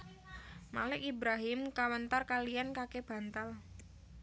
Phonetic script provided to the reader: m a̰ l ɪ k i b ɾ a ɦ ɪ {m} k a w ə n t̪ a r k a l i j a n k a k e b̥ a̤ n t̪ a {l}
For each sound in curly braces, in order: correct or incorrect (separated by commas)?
correct, correct